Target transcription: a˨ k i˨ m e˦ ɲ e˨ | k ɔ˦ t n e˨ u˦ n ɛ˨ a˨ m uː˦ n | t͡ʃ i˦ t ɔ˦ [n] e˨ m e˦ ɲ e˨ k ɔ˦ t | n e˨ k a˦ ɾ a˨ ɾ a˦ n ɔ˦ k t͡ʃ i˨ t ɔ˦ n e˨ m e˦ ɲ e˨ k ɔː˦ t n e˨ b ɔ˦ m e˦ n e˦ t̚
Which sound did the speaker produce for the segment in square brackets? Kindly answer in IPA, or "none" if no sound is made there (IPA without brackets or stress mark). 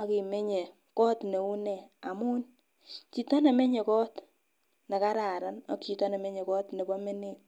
n